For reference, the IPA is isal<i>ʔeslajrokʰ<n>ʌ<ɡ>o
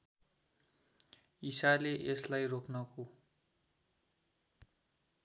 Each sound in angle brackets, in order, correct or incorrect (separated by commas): incorrect, correct, incorrect